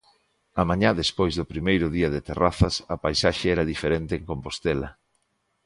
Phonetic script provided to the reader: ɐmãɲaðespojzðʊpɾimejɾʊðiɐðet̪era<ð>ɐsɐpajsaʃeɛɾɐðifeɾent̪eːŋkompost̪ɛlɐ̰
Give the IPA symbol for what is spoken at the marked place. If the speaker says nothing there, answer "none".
θ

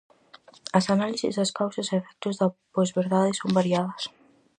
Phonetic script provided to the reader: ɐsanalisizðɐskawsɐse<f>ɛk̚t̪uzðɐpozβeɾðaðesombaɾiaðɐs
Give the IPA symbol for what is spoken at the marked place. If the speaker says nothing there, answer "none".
f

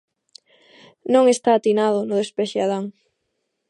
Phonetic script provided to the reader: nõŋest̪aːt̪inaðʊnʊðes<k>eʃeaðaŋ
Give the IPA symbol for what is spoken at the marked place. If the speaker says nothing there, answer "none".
p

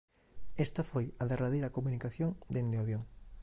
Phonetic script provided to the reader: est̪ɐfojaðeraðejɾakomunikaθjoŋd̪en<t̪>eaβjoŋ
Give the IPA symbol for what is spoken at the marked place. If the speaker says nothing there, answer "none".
d̪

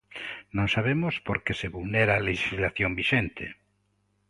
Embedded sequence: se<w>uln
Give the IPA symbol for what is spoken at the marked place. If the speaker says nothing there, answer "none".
β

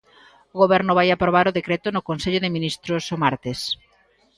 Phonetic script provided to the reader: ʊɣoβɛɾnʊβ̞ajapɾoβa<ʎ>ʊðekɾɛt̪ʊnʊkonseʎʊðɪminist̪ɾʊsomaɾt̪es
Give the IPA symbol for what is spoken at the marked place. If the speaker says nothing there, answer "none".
ɾ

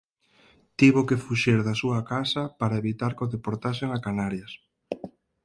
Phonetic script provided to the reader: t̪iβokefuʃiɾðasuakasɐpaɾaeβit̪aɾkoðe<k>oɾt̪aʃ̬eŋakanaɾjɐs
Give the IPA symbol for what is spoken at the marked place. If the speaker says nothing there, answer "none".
p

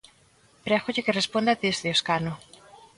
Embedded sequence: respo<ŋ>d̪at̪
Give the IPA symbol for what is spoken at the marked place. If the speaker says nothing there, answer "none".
n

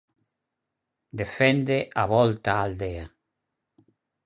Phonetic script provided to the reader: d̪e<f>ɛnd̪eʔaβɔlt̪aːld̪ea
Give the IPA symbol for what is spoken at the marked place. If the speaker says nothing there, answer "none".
f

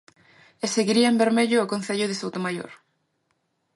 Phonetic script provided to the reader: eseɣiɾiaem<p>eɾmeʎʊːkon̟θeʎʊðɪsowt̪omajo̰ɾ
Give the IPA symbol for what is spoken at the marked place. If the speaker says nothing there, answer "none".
b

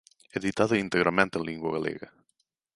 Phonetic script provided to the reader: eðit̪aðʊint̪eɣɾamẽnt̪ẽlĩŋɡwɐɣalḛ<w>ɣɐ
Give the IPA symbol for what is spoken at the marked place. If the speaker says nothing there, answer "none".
none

